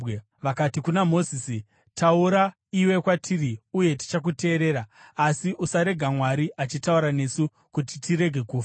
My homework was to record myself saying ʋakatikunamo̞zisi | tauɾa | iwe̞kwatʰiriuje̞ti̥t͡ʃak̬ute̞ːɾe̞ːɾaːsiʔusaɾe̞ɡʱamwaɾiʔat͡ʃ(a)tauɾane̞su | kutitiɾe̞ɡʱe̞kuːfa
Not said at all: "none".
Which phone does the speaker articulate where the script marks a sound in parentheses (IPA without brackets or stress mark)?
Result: i